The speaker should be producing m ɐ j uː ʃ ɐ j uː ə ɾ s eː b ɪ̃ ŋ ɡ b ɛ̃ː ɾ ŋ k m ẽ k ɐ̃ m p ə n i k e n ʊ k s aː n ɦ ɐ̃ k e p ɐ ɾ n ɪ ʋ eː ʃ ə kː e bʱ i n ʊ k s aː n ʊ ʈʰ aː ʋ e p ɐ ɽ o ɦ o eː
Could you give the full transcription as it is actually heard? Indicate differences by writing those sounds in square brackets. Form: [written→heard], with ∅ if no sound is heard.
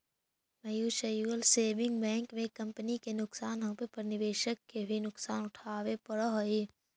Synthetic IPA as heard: m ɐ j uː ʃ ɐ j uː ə [ɾ→l] s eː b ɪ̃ ŋ ɡ b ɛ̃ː [ɾ→∅] ŋ k m ẽ k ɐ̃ m p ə n i k e n ʊ k s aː n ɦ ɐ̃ [k→p] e p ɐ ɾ n ɪ ʋ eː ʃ ə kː e bʱ i n ʊ k s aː n ʊ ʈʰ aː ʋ e p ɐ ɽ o ɦ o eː

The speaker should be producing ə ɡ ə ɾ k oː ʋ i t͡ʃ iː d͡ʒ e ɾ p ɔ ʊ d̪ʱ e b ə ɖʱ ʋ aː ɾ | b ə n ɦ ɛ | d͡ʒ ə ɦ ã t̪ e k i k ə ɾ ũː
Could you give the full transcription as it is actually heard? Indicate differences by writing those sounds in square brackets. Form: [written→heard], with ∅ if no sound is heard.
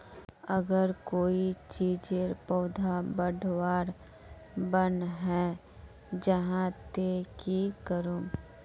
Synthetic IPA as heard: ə ɡ ə ɾ k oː [ʋ→∅] i t͡ʃ iː d͡ʒ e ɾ p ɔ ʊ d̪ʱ [e→a] b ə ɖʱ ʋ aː ɾ | b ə n ɦ ɛ | d͡ʒ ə ɦ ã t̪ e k i k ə ɾ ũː

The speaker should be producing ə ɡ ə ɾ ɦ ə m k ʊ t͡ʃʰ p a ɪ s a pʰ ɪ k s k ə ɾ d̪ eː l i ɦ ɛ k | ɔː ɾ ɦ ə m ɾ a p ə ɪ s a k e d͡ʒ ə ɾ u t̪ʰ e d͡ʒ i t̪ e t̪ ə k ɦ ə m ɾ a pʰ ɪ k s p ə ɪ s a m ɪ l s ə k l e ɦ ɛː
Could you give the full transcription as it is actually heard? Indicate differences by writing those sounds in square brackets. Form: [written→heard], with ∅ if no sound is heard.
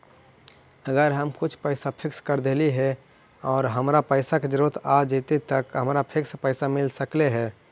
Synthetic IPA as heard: ə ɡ ə ɾ ɦ ə m k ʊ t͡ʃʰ p [a→ə] ɪ s a pʰ ɪ k s k ə ɾ d̪ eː l i ɦ ɛ [k→∅] | ɔː ɾ ɦ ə m ɾ a p ə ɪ s a k e d͡ʒ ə ɾ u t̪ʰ [e→a] d͡ʒ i t̪ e t̪ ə k ɦ ə m ɾ a pʰ ɪ k s p ə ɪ s a m ɪ l s ə k l e ɦ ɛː

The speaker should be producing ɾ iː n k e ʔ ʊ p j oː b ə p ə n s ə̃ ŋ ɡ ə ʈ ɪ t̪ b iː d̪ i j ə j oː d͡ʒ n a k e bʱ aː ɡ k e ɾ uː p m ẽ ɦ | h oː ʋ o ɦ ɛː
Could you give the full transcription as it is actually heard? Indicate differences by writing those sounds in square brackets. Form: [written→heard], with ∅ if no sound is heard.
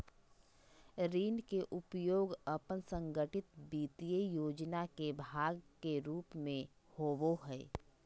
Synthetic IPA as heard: ɾ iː n k e ʔ ʊ p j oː [b→ɡ] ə p ə n s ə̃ ŋ ɡ ə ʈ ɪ t̪ b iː [d̪→t̪] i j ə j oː d͡ʒ n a k e bʱ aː ɡ k e ɾ uː p m ẽ [ɦ→∅] | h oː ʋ o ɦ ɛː

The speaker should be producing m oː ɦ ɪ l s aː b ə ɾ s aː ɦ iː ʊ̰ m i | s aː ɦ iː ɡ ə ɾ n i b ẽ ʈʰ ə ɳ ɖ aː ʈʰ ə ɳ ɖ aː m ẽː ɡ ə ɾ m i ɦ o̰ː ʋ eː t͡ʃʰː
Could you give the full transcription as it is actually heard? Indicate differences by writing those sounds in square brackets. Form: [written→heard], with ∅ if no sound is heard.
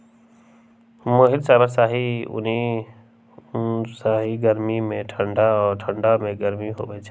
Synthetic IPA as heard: m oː ɦ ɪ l s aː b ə ɾ s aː ɦ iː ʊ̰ [m→n] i | s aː ɦ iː ɡ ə ɾ [n→m] i [b→m] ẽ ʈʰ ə ɳ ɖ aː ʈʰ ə ɳ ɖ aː m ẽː ɡ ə ɾ m i ɦ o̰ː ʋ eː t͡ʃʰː

